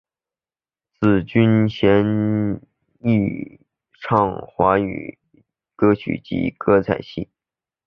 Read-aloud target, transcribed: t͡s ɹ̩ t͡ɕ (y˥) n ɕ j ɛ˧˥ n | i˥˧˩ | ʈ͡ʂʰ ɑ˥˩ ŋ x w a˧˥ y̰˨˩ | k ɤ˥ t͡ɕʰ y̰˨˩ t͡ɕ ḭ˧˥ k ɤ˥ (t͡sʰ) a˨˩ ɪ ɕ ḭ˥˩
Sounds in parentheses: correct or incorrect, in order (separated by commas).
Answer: correct, correct